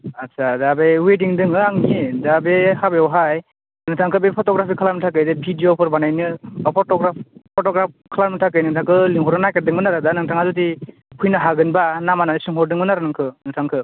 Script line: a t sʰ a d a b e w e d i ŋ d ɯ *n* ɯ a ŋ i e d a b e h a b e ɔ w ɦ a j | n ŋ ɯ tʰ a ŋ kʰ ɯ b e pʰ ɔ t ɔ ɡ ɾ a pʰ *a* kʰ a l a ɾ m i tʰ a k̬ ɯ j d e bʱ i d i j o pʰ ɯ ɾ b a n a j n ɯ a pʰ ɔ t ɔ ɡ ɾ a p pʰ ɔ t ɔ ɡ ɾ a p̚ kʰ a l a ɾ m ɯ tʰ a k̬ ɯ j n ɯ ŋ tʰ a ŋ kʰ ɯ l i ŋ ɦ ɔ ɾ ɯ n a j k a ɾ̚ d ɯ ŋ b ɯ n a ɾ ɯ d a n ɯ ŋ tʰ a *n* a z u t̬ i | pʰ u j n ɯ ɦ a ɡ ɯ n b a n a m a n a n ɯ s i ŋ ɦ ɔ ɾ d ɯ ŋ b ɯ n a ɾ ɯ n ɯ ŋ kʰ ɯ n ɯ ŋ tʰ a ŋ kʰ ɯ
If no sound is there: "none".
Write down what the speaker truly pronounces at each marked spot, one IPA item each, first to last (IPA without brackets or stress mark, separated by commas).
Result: ŋ, i, ŋ